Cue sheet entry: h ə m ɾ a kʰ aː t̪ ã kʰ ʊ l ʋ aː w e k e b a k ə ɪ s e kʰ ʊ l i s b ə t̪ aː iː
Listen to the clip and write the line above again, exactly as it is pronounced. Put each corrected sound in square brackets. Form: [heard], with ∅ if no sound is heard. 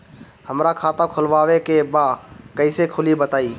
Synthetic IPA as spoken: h ə m ɾ a kʰ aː t̪ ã kʰ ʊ l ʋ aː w e k e b a k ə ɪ s e kʰ ʊ l i [∅] b ə t̪ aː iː